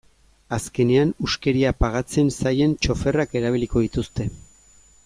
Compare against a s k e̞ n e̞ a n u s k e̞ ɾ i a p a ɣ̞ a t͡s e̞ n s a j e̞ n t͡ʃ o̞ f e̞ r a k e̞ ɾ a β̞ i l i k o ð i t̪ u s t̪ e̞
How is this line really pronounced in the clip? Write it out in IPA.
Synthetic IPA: a s k e̞ n e̞ a n u s k e̞ ɾ i a p a ɣ̞ a t͡s e̞ n s a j e̞ n t͡ʃ o̞ f e̞ r a k e̞ ɾ a β̞ i l i k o ð i t̪ u s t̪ e̞